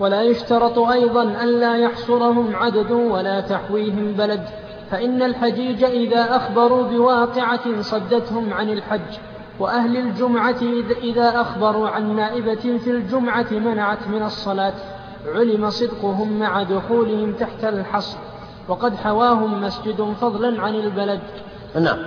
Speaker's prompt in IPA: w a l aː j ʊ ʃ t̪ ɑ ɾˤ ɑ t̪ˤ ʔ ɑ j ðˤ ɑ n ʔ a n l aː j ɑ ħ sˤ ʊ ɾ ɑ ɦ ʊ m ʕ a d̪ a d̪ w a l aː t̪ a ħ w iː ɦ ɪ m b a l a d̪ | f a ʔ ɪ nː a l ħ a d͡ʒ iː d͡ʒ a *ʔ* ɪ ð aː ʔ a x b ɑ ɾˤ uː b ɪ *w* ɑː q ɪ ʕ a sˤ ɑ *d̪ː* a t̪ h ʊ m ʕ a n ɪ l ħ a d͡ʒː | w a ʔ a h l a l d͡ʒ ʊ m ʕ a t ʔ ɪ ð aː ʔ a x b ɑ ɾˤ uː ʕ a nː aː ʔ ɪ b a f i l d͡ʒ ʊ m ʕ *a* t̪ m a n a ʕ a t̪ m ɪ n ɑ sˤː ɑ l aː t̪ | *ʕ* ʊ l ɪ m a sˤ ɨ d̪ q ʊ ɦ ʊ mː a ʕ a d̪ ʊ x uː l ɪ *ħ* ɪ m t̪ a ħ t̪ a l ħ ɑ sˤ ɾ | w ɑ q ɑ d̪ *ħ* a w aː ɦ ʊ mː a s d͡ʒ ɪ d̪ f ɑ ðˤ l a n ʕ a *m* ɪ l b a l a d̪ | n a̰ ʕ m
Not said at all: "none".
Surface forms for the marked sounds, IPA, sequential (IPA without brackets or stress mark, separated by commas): ʔ, w, d̪ː, a, ʕ, h, ħ, n